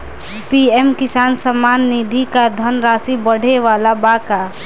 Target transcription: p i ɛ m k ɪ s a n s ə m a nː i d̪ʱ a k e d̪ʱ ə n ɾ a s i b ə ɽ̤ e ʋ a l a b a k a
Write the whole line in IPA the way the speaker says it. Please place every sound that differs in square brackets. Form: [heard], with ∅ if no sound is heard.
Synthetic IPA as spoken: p i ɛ m k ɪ s a n s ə m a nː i d̪ʱ [i] k [a] d̪ʱ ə n ɾ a s i b ə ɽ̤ e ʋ a l a b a k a